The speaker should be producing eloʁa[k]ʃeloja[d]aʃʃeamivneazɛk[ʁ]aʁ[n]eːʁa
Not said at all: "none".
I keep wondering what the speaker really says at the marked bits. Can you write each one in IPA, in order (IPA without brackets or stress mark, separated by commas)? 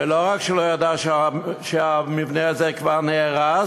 k, d, v, n